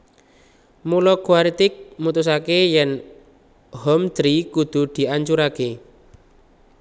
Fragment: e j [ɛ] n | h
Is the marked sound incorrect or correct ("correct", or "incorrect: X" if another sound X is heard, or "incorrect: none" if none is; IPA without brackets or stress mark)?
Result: correct